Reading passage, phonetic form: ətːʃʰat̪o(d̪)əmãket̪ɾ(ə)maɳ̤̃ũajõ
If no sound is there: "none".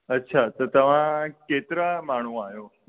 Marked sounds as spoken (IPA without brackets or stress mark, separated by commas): t̪, a